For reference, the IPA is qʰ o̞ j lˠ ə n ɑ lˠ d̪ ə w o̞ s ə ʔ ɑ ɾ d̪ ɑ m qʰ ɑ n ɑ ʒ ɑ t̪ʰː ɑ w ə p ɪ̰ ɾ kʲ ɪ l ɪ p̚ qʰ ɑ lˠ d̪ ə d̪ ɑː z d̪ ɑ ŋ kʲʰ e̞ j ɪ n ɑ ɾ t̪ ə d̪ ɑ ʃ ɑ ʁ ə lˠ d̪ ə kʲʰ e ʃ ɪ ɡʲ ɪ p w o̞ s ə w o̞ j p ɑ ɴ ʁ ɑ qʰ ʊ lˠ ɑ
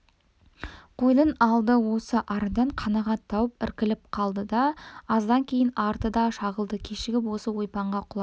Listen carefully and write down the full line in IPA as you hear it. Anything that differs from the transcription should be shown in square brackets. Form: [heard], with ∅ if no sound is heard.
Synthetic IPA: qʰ o̞ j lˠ ə n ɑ lˠ d̪ ə w o̞ s ə ʔ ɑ ɾ d̪ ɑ [ɴ] qʰ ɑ n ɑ [ʁ] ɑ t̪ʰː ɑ w ə p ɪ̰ ɾ kʲ ɪ l ɪ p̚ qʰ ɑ lˠ d̪ ə d̪ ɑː z d̪ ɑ ŋ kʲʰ e̞ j ɪ n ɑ ɾ t̪ ə d̪ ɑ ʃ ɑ ʁ ə lˠ d̪ ə kʲʰ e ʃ ɪ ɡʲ ɪ p w o̞ s ə w o̞ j p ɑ ɴ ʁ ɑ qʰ ʊ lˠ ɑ